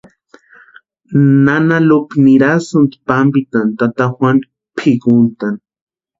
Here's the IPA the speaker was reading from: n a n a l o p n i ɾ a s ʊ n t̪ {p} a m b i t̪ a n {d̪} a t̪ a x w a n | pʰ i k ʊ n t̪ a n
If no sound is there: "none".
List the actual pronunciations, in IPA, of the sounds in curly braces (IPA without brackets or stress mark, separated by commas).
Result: p, t̪